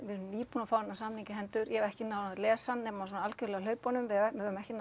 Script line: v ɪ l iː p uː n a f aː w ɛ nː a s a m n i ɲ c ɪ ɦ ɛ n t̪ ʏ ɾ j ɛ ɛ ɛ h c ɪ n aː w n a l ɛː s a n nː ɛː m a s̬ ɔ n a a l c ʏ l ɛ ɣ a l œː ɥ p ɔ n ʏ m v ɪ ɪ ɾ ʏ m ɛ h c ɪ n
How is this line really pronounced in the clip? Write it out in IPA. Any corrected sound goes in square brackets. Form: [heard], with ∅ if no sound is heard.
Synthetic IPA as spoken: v ɪ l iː p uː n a f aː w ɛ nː a s a m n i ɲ c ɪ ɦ ɛ n t̪ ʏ ɾ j ɛ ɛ ɛ h c ɪ n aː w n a l ɛː s a n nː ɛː m a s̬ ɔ n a a l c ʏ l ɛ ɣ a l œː ɥ p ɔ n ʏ m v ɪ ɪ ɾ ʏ m ɛ h c ɪ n